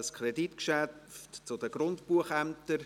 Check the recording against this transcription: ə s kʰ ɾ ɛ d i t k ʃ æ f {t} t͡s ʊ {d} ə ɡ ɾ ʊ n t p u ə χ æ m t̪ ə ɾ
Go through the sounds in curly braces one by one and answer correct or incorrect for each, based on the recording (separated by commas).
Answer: correct, correct